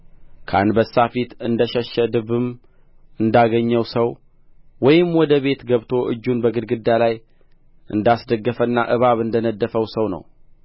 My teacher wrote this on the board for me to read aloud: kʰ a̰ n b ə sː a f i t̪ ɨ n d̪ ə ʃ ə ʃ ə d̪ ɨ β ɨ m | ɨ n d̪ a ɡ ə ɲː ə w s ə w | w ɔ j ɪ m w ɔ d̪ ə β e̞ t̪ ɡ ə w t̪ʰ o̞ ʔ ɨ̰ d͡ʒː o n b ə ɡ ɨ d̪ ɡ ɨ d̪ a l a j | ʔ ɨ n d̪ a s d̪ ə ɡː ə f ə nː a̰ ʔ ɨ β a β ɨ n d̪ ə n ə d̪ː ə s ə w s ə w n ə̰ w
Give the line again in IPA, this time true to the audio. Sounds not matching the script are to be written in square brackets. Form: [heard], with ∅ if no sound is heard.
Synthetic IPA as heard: kʰ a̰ n b ə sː a f i t̪ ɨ n d̪ ə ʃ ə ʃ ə d̪ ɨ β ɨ m | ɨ n d̪ a ɡ ə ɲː ə w s ə w | w ɔ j ɪ m w ɔ d̪ ə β e̞ t̪ ɡ ə [β] t̪ʰ o̞ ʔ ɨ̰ d͡ʒː [u] n b ə ɡ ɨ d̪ ɡ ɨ d̪ a l a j | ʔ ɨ n d̪ a s d̪ ə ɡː ə f ə nː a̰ ʔ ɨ β a β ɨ n d̪ ə n ə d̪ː ə [f] ə w s ə w n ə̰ w

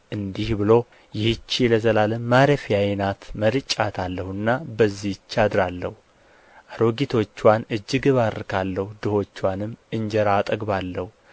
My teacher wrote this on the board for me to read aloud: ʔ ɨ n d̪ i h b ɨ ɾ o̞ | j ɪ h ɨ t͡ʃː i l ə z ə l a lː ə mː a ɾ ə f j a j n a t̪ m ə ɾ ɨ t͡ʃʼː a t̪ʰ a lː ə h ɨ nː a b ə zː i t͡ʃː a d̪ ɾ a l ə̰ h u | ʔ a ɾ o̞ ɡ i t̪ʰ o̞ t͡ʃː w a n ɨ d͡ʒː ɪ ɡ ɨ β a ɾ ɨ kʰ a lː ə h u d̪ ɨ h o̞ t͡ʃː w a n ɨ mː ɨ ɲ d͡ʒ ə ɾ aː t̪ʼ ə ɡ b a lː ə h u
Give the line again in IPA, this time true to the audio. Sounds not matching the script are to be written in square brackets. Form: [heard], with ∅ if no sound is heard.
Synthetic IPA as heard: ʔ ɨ n d̪ i h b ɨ [l] o̞ | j ɪ h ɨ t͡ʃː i l ə z ə l a [l] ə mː a ɾ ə f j a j n a t̪ m ə ɾ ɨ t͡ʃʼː a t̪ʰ a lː ə h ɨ nː a b ə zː i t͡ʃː a d̪ ɾ a [lː] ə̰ h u | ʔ a ɾ o̞ ɡ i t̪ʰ o̞ t͡ʃː w a n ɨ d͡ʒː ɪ ɡ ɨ β a ɾ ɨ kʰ a lː ə h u d̪ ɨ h o̞ t͡ʃː w a n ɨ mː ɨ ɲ d͡ʒ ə ɾ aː t̪ʼ ə ɡ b a lː ə h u

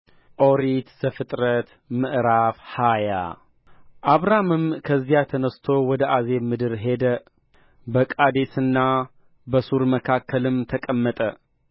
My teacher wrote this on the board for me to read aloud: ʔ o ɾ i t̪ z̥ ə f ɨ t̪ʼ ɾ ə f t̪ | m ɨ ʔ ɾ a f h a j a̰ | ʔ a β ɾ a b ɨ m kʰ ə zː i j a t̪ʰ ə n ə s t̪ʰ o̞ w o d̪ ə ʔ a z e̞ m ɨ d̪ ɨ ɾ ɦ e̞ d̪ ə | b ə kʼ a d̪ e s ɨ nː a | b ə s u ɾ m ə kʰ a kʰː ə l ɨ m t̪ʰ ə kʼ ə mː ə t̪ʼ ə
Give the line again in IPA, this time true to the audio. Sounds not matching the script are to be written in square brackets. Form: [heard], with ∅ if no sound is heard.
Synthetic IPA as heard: ʔ o ɾ i t̪ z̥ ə f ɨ t̪ʼ ɾ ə [∅] t̪ | m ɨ ʔ ɾ a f h a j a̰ | ʔ a β ɾ a [m] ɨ m kʰ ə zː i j a t̪ʰ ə n ə s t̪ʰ o̞ w [ɔ] d̪ ə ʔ a z e̞ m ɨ d̪ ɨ ɾ ɦ e̞ d̪ ə | b ə kʼ a d̪ e s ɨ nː a | b ə s u ɾ m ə kʰ a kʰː ə l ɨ m t̪ʰ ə kʼ ə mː ə t̪ʼ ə

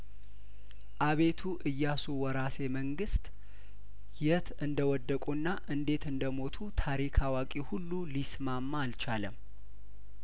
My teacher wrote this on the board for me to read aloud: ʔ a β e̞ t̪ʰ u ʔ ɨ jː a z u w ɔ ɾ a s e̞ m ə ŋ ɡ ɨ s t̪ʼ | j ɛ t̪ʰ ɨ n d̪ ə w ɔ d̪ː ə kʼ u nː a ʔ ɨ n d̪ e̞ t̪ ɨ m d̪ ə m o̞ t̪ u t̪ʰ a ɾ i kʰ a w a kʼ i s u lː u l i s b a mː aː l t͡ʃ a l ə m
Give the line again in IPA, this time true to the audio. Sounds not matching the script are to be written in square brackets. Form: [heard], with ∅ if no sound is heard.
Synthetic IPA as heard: ʔ a β e̞ t̪ʰ u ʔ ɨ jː a [s] u w ɔ ɾ a s e̞ m ə ŋ ɡ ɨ s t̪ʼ | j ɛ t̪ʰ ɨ n d̪ ə w ɔ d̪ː ə kʼ u nː a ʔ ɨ n d̪ e̞ t̪ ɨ [n] d̪ ə m o̞ [t̪ʰ] u t̪ʰ a ɾ i kʰ a w a kʼ i [h] u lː u l i s [m] a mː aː l t͡ʃ a l ə m

